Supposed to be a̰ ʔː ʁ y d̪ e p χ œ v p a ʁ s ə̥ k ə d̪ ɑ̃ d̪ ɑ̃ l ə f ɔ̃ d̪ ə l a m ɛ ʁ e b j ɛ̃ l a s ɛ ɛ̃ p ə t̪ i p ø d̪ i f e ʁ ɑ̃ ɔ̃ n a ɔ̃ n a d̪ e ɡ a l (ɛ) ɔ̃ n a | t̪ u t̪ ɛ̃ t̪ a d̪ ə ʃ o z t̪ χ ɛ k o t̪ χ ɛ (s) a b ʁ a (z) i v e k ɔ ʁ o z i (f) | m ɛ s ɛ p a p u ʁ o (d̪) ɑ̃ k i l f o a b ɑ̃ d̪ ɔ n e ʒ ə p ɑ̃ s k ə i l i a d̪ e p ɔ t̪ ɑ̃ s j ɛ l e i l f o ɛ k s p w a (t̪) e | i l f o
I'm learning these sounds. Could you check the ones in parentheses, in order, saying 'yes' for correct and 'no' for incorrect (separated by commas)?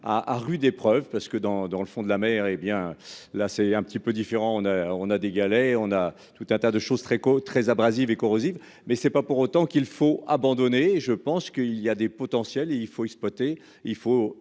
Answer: yes, no, yes, no, no, yes